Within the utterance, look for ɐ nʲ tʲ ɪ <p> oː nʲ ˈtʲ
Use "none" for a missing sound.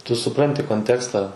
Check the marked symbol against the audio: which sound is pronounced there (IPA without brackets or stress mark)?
k